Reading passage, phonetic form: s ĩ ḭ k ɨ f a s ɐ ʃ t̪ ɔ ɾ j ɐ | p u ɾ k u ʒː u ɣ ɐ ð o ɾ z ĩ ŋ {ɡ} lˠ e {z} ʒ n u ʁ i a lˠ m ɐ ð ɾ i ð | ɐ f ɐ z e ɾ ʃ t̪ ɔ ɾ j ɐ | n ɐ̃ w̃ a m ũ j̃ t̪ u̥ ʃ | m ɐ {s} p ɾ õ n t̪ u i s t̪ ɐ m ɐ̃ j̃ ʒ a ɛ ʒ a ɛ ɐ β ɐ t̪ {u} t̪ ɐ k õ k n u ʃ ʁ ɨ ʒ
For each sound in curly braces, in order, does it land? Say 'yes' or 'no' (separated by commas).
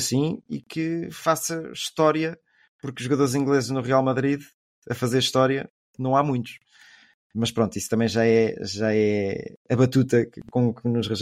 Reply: yes, yes, no, yes